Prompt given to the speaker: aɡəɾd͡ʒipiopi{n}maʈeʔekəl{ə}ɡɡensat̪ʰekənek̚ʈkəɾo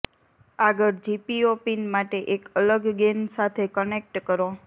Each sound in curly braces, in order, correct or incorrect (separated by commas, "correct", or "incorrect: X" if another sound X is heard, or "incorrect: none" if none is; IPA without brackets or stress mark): correct, correct